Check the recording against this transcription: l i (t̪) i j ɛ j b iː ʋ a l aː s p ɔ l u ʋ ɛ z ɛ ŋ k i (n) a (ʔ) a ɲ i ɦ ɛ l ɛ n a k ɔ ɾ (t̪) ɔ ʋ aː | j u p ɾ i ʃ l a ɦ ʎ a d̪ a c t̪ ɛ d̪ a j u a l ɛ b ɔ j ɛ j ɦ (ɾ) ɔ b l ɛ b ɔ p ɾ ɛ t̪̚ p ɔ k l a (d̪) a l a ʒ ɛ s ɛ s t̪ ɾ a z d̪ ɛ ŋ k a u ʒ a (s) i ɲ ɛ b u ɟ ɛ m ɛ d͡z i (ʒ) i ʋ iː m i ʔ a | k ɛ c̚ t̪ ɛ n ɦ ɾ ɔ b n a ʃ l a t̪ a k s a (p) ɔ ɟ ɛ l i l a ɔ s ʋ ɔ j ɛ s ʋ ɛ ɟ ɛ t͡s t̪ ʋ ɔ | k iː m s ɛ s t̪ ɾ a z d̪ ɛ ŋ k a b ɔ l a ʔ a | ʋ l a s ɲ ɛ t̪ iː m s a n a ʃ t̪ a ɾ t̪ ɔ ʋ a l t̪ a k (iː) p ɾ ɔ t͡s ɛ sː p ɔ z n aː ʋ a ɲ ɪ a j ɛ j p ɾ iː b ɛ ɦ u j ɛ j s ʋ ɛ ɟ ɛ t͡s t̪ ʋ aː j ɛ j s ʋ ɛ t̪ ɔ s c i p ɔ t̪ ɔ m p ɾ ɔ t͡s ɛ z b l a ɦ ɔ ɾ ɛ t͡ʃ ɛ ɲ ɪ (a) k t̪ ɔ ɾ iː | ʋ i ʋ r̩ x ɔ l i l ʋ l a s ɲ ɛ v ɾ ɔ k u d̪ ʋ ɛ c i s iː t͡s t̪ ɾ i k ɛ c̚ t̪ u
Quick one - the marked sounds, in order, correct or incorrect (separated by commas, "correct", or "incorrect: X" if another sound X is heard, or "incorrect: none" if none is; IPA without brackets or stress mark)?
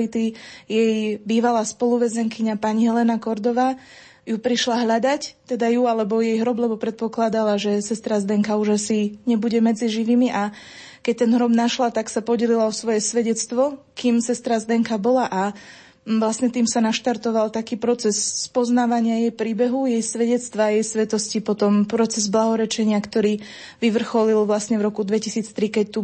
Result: correct, incorrect: ɲ, incorrect: p, incorrect: d̪, correct, correct, correct, correct, correct, correct, correct